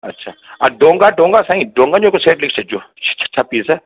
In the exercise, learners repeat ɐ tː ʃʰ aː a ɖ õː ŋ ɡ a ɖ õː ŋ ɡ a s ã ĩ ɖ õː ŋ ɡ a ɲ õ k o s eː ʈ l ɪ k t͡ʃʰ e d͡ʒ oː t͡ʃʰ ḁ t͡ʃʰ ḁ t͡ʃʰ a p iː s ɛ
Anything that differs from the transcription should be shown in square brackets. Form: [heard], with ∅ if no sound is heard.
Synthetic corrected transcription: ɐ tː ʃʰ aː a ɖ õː ŋ ɡ a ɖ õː ŋ ɡ a s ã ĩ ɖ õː ŋ ɡ a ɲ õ k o s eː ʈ l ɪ k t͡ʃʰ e d͡ʒ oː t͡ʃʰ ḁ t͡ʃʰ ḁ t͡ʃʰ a p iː s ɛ

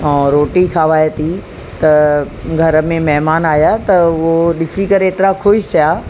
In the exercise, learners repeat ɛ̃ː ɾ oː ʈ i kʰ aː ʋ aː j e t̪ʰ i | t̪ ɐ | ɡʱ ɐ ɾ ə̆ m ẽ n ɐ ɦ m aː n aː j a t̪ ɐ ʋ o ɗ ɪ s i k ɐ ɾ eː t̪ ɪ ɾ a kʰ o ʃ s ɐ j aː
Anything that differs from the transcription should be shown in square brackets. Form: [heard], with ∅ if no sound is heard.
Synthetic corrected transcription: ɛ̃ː ɾ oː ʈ i kʰ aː ʋ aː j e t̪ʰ i | t̪ ɐ | ɡʱ ɐ ɾ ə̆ m ẽ [m] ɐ ɦ m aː n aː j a t̪ ɐ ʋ o ɗ ɪ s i k ɐ ɾ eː t̪ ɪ ɾ a kʰ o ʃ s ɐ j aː

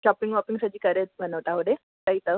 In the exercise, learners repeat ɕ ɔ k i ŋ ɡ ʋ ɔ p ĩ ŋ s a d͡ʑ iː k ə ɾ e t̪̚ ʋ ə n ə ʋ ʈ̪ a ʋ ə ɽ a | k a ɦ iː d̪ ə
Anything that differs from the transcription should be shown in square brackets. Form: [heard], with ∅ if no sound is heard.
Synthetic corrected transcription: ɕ ɔ [p] i ŋ ɡ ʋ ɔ p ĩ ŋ s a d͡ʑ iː k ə ɾ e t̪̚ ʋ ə n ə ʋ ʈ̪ a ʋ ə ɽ [e] | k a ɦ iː [t̪] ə

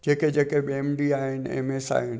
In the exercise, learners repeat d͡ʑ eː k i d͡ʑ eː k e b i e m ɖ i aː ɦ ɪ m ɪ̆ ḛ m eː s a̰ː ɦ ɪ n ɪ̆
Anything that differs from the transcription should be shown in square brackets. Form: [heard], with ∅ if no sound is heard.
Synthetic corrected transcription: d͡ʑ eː k [e] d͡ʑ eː k e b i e m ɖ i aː ɦ ɪ [n] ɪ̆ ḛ m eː s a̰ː ɦ ɪ n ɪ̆

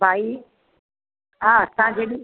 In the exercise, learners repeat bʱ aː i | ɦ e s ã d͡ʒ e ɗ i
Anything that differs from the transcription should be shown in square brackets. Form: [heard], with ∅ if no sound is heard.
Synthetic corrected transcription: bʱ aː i | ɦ [a] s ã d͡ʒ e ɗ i

